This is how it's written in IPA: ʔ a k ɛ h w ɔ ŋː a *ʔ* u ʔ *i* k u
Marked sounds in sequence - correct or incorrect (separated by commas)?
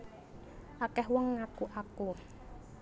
incorrect, incorrect